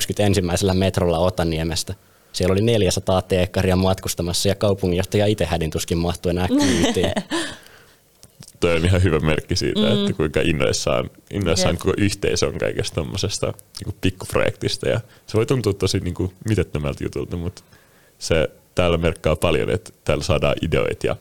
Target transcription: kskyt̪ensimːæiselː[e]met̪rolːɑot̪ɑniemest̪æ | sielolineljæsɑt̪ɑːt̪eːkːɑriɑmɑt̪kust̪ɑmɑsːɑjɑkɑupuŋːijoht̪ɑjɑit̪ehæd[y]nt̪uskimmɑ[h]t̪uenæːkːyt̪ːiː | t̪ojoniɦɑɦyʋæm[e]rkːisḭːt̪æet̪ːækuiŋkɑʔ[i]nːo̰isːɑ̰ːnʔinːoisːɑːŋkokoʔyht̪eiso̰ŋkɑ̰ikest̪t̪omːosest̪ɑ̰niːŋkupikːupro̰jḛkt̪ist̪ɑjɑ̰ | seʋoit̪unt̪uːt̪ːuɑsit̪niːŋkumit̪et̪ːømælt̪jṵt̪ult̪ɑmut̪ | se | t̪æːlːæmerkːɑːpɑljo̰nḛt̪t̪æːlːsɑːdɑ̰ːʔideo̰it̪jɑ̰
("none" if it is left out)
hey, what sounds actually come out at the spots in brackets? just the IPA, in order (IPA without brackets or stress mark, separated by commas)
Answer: æ, i, h, e, i